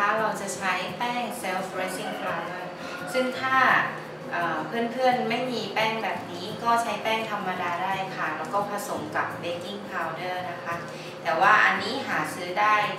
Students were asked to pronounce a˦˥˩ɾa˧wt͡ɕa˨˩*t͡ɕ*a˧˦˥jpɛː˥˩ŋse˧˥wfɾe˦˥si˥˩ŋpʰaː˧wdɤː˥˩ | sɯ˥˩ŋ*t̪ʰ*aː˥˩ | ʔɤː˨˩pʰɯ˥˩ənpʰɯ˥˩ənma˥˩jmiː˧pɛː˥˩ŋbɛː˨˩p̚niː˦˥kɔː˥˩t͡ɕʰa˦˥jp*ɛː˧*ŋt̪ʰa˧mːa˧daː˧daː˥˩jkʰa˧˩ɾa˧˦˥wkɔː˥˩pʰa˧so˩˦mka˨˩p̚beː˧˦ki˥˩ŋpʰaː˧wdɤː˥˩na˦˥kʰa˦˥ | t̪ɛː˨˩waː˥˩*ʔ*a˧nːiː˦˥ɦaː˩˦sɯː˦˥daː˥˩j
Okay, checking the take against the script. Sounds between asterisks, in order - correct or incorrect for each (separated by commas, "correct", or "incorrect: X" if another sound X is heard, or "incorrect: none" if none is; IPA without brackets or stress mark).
incorrect: t͡ɕʰ, correct, incorrect: ɛː˥˩, correct